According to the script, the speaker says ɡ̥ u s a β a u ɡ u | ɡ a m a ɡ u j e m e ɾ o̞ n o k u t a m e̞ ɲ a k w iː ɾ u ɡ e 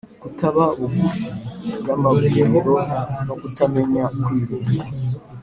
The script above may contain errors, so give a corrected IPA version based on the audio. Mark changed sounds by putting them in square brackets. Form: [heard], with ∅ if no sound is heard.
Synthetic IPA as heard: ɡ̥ u [t] a β a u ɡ u | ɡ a m a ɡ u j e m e ɾ o̞ n o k u t a m e̞ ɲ a k w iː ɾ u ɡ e